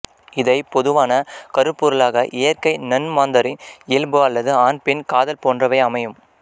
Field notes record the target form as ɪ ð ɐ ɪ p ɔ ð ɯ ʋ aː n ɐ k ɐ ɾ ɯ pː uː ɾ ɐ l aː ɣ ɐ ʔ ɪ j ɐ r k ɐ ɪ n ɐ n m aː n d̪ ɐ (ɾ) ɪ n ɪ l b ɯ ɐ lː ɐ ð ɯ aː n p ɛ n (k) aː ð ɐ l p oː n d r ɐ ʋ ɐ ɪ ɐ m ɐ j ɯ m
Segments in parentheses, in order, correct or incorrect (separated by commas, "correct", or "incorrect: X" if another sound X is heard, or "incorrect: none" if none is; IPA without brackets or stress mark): correct, correct